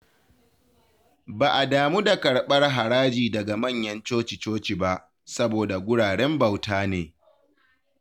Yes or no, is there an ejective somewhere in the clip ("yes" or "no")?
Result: no